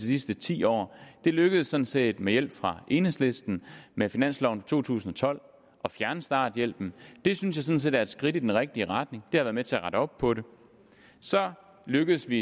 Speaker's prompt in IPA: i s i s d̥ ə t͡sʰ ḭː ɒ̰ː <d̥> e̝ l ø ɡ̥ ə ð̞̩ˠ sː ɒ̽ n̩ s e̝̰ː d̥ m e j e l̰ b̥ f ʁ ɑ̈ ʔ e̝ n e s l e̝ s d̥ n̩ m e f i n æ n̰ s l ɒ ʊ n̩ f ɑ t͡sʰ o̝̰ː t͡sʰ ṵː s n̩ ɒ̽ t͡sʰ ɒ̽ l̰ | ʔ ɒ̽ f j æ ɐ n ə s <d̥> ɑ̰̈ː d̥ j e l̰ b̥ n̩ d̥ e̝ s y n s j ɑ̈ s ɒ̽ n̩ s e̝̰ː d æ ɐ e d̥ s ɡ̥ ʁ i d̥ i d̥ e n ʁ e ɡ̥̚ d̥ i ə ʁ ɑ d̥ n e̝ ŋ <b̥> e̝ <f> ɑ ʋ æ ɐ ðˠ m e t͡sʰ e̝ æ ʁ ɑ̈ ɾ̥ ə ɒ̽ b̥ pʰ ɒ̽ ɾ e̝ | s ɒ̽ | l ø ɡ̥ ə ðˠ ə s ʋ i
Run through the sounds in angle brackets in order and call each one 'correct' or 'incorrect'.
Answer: correct, correct, incorrect: d̥, incorrect: h

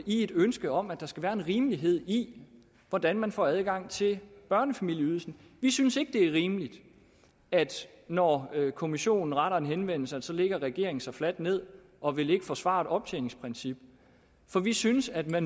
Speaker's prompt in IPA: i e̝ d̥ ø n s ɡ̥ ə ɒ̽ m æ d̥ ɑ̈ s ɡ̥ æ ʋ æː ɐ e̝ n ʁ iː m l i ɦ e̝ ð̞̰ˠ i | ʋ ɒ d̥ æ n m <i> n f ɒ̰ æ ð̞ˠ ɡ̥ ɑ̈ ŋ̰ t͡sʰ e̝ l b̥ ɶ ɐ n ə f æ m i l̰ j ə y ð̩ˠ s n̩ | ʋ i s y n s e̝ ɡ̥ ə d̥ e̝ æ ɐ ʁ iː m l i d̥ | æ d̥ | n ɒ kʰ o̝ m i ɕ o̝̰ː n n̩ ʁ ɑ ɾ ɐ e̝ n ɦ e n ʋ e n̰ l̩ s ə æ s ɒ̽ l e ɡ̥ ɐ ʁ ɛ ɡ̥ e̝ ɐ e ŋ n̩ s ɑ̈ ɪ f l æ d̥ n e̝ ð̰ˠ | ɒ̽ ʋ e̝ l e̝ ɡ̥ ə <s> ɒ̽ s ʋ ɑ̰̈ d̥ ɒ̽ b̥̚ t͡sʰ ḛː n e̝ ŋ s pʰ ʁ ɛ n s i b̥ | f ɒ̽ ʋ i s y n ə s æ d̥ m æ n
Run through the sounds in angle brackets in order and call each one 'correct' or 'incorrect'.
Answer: incorrect: æ, incorrect: f

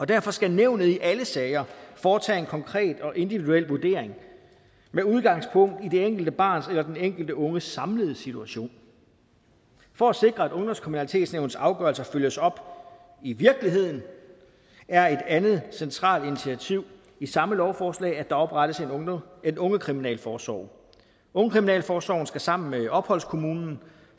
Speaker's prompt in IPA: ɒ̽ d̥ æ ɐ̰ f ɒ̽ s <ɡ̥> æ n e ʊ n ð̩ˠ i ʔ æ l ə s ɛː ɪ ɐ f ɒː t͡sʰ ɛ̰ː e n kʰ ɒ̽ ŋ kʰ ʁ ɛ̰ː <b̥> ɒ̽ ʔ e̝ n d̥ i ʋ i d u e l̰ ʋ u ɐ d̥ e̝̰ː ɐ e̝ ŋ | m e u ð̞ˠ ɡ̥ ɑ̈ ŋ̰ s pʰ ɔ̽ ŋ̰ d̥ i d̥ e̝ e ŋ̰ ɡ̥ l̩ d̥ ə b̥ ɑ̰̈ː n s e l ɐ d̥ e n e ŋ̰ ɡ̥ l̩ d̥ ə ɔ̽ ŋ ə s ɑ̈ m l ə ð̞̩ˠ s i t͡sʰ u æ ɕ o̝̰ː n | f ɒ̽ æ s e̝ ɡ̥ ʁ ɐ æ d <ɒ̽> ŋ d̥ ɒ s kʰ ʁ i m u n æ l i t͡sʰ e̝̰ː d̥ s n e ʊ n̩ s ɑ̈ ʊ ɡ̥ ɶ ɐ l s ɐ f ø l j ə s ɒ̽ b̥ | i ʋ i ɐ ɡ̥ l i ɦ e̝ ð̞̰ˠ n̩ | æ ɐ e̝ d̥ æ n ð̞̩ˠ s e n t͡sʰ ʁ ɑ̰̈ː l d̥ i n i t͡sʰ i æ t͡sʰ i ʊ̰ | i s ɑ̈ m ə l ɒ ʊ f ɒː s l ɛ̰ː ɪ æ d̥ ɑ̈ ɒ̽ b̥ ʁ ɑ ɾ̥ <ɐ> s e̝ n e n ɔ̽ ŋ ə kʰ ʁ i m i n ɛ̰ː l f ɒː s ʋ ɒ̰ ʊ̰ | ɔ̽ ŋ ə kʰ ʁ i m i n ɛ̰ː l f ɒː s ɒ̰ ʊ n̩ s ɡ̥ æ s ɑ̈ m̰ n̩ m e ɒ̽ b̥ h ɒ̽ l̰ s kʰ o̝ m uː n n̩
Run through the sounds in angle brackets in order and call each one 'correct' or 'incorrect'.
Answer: correct, incorrect: d̥, incorrect: ɔ̽, incorrect: ə

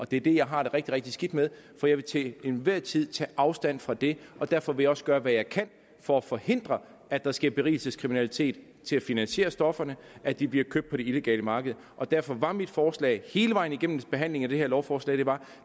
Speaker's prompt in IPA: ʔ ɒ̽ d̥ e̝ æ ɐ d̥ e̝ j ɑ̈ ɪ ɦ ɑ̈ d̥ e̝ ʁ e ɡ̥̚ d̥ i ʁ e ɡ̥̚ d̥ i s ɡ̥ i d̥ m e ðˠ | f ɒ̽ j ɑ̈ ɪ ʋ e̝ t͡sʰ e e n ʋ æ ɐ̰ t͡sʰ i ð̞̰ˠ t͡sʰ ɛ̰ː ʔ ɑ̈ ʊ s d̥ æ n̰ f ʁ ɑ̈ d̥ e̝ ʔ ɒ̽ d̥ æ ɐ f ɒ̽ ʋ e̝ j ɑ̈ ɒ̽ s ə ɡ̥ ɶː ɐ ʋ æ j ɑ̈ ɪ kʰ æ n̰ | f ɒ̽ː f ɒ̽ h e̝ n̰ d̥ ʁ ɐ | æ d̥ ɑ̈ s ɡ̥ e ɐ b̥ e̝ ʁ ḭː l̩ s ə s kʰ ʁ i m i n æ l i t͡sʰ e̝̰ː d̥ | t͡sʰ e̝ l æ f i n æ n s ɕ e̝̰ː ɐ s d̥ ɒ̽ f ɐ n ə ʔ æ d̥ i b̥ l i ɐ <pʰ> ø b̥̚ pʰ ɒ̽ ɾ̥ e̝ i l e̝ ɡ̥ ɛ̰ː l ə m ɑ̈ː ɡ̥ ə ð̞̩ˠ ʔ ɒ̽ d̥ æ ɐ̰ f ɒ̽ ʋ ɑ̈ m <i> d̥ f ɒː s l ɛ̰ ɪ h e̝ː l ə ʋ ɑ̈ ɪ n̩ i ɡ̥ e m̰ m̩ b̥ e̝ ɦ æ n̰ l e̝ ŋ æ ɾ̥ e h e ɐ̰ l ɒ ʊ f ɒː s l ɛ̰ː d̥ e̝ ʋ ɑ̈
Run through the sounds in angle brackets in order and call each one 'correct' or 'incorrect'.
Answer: incorrect: kʰ, correct

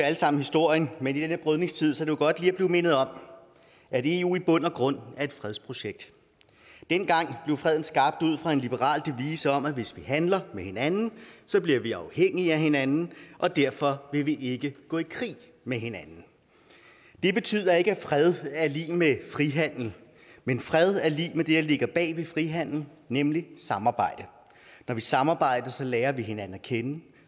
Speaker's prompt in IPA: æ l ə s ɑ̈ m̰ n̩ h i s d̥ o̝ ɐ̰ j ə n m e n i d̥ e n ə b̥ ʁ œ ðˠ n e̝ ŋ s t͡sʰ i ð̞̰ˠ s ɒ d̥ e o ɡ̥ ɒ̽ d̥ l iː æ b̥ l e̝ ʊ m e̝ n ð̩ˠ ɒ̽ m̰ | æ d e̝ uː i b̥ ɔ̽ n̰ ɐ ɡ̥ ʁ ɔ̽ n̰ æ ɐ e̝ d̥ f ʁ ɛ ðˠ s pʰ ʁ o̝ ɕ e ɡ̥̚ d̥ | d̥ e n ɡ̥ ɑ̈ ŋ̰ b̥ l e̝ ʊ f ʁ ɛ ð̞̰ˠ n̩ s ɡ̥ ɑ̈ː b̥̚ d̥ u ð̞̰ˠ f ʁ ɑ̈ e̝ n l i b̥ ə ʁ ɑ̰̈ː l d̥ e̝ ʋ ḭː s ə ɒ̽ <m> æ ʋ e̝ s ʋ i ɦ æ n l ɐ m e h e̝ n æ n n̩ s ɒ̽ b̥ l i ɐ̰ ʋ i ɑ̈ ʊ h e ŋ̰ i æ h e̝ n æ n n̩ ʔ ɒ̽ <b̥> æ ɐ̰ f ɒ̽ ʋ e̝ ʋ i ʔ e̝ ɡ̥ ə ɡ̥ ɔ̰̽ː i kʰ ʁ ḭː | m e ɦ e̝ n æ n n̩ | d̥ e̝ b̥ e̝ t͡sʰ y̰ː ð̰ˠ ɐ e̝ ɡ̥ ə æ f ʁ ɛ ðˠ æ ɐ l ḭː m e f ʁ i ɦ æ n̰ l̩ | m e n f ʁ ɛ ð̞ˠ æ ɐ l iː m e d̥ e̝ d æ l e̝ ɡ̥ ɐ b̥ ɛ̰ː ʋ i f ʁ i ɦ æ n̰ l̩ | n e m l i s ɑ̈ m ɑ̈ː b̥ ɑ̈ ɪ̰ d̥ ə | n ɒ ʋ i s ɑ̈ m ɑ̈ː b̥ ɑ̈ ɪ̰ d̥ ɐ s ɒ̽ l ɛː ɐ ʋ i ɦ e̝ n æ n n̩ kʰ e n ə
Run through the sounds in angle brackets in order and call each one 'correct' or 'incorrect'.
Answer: correct, incorrect: d̥

